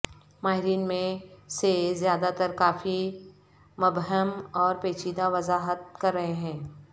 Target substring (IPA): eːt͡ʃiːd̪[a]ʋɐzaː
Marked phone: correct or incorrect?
correct